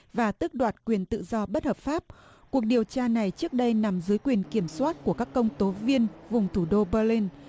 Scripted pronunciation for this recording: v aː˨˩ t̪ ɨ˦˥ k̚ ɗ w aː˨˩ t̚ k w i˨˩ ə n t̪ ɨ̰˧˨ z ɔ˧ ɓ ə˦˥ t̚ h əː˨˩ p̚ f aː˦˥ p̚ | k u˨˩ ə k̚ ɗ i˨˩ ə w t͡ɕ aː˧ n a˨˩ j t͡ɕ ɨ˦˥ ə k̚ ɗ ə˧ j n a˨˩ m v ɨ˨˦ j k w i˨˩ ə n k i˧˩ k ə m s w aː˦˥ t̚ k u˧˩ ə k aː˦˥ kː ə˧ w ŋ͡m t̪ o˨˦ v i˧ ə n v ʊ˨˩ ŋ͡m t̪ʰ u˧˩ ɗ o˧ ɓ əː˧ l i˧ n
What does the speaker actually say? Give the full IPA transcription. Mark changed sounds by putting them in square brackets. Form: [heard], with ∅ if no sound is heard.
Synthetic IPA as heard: v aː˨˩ t̪ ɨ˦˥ k̚ ɗ w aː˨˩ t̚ k w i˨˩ ə n t̪ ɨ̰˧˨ z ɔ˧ ɓ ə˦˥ t̚ h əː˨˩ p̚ f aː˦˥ p̚ | k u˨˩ ə k̚ ɗ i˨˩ ə w t͡ɕ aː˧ n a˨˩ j t͡ɕ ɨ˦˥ ə k̚ ɗ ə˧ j n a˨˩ m [z] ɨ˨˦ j k w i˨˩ ə n k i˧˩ [∅] ə m s w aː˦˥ t̚ k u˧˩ ə k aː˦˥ kː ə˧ w ŋ͡m t̪ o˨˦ v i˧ ə n v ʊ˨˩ ŋ͡m t̪ʰ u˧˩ ɗ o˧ ɓ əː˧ l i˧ n